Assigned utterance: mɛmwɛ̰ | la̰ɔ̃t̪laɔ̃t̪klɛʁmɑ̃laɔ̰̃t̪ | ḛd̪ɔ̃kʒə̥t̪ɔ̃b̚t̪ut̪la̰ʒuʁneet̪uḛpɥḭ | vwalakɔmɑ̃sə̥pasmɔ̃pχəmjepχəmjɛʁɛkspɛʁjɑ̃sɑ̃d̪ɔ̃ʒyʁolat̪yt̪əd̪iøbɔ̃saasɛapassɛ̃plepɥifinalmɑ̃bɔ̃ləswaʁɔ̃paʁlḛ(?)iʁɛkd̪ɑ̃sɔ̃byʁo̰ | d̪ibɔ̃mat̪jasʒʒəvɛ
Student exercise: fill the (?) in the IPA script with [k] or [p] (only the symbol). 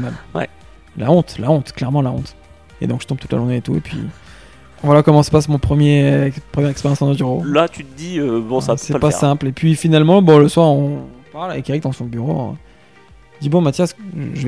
k